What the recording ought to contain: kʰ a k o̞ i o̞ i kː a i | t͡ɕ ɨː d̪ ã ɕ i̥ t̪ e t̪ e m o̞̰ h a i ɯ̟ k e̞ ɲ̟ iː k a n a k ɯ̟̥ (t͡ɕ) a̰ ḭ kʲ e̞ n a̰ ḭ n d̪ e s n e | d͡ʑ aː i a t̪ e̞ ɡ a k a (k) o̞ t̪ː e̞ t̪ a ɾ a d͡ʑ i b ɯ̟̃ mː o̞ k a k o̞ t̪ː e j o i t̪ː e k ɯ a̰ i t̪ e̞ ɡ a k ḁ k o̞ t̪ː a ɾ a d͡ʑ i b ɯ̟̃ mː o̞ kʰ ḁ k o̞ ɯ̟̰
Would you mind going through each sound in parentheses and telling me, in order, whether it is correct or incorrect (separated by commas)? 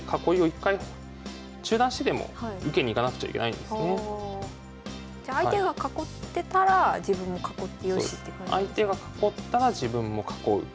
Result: correct, correct